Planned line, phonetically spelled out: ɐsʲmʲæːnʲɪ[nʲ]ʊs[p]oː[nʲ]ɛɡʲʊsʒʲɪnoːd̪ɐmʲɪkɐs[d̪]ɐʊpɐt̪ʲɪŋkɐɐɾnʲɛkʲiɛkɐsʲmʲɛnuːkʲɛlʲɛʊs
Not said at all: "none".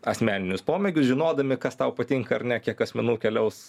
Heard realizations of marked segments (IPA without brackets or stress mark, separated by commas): nʲ, p, mʲ, t̪